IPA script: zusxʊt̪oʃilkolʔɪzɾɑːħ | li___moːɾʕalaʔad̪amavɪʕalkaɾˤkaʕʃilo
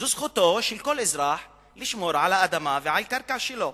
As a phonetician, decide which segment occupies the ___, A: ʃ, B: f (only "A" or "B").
A